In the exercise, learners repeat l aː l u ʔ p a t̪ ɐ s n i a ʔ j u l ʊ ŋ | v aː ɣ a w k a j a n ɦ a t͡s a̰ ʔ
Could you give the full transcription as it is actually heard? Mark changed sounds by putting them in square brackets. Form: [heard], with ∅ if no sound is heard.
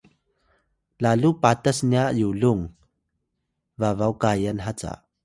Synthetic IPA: l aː l u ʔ p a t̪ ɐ s n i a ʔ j u l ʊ ŋ | v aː [v] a w k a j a n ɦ a t͡s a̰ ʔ